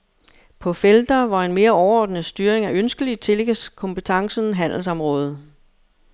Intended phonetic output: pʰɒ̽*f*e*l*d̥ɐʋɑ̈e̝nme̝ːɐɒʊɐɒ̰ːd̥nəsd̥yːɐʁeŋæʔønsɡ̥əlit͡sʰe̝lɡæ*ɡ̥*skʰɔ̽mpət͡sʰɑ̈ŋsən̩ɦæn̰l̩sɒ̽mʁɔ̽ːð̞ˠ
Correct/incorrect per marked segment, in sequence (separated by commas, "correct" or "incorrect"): correct, correct, incorrect